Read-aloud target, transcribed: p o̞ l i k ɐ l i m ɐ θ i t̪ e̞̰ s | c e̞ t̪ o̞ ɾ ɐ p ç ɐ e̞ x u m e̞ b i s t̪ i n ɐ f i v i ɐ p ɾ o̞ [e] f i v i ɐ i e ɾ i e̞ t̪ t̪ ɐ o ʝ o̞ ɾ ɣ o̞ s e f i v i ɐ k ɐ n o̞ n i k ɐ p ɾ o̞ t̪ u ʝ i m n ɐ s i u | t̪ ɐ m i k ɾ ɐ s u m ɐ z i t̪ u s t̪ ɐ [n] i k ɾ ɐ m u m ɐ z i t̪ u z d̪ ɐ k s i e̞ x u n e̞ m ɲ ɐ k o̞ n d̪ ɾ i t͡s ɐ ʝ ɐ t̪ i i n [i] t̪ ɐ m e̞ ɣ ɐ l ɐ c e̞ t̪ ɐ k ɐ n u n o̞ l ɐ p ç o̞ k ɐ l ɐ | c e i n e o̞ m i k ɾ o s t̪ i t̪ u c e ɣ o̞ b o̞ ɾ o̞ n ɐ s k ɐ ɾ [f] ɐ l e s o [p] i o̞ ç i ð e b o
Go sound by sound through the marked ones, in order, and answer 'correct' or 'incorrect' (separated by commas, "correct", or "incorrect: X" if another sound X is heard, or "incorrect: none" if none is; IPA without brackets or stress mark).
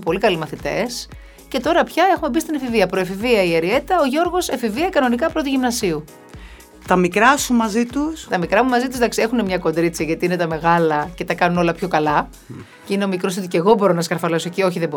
correct, incorrect: m, incorrect: e, correct, incorrect: c